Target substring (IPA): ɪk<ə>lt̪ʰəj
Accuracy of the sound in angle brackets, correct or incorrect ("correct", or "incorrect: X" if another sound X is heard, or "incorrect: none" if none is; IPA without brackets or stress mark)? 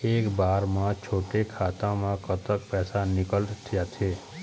correct